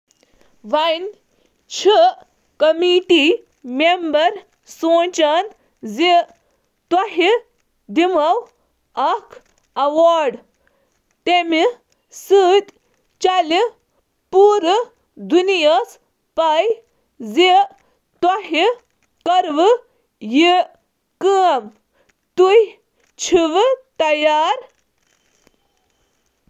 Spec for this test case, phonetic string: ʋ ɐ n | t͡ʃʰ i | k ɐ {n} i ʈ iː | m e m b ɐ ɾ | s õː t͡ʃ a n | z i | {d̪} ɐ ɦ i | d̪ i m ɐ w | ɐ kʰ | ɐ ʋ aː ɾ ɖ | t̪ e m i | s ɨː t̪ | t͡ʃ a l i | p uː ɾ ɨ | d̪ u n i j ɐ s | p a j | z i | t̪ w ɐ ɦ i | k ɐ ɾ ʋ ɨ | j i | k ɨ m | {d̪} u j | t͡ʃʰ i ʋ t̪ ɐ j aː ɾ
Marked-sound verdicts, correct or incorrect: incorrect: m, incorrect: t̪, incorrect: t̪

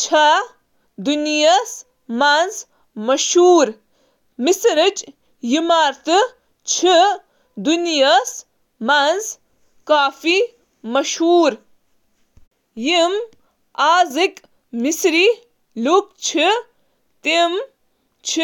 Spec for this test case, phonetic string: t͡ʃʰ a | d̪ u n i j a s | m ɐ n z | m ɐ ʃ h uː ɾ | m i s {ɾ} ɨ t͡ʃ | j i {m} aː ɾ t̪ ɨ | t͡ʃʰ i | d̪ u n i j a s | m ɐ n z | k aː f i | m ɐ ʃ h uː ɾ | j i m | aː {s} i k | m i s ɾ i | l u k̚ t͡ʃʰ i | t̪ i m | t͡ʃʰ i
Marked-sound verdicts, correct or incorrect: correct, correct, incorrect: z

